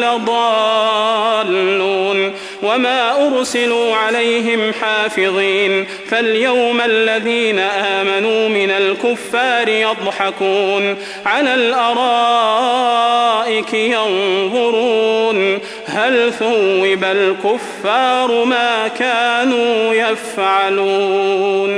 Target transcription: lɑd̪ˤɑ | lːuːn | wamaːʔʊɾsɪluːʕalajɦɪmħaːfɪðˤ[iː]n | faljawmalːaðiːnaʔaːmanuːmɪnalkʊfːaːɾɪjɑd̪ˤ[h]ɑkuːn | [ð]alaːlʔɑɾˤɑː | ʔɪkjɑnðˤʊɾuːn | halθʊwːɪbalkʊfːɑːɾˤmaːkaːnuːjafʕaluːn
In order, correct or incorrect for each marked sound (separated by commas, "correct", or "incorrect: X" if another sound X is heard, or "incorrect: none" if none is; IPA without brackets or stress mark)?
correct, incorrect: ħ, incorrect: ʕ